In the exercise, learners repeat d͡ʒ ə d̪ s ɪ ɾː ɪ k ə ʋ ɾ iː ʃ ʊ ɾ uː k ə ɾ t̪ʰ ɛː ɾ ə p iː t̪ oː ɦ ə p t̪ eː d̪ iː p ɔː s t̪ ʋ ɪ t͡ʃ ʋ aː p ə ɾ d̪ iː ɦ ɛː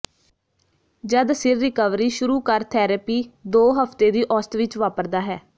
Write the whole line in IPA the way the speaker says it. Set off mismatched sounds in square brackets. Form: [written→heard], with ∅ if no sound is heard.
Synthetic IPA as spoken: d͡ʒ ə d̪ s ɪ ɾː ɪ k ə ʋ ɾ iː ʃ ʊ ɾ uː k ə ɾ t̪ʰ ɛː ɾ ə p iː [t̪→d̪] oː ɦ ə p t̪ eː d̪ iː [p→ʔ] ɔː s t̪ ʋ ɪ t͡ʃ ʋ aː p ə ɾ d̪ [iː→aː] ɦ ɛː